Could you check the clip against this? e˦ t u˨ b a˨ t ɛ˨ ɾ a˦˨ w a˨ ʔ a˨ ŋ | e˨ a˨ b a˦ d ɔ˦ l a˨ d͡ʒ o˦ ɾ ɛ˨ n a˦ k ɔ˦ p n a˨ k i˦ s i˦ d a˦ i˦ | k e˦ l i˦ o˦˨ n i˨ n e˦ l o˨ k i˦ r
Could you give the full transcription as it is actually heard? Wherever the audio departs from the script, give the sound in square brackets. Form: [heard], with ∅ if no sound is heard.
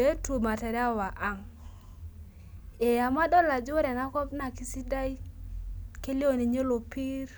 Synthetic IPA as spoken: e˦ t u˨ [m] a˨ t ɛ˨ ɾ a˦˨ w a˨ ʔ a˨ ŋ | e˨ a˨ [m] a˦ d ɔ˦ l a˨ d͡ʒ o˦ ɾ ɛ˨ n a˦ k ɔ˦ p n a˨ k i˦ s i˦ d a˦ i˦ | k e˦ l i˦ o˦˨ n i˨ [ɲ] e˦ l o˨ [p] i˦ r